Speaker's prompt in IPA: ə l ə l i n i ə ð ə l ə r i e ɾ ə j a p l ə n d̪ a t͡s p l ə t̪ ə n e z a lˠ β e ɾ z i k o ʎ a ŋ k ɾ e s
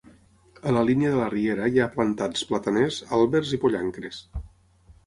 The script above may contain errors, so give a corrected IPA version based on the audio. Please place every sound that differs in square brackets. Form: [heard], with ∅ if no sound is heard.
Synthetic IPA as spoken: ə l ə l i n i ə ð ə l ə r i e ɾ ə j a p l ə n [t̪] a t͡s p l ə t̪ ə n e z a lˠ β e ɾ z i [p] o ʎ a ŋ k ɾ e s